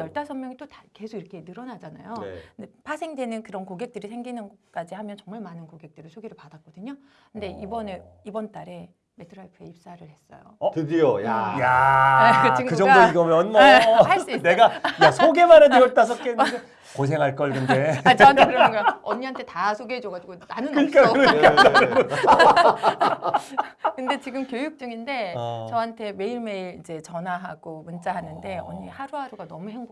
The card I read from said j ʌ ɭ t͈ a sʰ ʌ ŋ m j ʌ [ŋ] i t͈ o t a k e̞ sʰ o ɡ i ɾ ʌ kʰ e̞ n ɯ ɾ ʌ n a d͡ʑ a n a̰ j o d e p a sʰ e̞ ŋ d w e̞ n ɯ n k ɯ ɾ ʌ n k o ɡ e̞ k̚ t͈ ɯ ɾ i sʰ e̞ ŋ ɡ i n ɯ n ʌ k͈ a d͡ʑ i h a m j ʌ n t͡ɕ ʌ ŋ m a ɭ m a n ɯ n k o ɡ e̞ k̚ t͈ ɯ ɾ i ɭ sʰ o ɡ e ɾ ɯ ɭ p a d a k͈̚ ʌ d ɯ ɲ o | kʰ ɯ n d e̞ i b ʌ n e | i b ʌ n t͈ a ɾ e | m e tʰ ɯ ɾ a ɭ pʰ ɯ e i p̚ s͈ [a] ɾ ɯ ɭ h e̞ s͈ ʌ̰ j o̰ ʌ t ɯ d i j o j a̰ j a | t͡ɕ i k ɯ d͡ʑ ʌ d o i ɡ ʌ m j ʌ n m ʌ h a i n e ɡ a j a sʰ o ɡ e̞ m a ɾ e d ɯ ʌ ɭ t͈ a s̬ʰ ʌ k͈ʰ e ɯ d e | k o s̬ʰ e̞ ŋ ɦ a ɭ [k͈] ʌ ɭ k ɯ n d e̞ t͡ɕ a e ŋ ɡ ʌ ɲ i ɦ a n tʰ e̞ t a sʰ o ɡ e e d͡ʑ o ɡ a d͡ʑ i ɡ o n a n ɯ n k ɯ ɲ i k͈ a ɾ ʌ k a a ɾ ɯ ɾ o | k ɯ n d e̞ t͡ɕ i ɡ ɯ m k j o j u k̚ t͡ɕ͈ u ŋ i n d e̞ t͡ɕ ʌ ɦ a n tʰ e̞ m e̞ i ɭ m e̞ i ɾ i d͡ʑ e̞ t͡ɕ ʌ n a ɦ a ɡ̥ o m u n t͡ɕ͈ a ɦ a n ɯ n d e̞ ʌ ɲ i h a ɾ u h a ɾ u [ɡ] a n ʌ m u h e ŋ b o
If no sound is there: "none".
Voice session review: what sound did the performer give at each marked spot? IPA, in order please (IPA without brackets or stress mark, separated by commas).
ŋ, a, k͈, ɡ